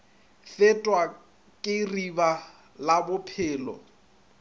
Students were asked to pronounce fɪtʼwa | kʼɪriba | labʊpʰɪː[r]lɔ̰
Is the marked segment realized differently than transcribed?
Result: yes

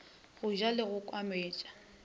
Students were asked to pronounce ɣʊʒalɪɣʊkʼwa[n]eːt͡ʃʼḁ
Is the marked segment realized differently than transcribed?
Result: yes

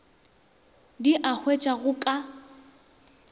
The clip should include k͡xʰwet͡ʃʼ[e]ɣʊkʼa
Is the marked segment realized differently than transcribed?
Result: yes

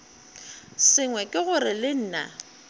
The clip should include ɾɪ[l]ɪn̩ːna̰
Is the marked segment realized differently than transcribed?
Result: no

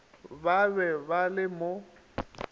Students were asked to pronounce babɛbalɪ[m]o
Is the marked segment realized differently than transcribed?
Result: no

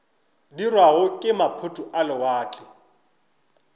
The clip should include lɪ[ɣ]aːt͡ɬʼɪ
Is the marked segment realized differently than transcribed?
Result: yes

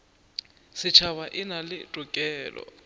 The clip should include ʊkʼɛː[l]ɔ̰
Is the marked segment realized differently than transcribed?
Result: no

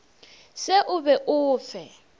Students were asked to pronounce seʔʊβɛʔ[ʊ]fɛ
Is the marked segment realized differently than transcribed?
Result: yes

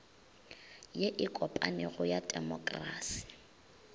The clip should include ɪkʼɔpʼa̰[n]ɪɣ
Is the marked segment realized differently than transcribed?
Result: no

